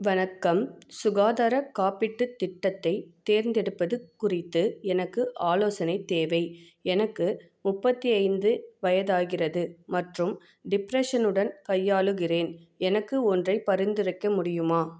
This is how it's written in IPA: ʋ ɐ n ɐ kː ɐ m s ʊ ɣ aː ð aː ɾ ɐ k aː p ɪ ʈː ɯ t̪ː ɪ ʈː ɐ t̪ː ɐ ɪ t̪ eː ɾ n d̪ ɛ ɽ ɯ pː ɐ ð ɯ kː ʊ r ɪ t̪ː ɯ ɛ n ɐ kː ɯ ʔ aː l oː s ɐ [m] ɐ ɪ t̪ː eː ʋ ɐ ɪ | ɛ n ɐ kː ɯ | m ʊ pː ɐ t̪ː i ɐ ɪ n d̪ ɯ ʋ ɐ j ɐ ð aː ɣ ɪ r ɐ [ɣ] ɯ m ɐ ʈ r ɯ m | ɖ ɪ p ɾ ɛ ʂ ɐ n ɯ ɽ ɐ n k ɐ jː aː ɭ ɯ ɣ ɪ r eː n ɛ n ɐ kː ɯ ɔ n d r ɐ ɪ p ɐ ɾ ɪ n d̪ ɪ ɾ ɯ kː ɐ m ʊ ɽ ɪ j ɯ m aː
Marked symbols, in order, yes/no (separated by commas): no, no